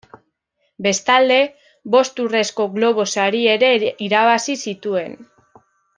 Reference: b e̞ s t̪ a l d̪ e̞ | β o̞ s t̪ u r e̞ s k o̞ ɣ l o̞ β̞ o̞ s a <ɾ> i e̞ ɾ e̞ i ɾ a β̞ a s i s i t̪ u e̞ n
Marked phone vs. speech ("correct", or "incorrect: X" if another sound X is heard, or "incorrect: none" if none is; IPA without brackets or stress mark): correct